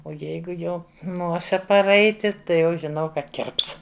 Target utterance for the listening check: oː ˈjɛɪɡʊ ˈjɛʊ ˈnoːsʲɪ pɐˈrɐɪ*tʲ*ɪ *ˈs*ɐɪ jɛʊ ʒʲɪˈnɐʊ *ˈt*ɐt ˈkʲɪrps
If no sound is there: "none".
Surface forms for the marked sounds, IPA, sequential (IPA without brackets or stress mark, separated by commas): tʲ, t, k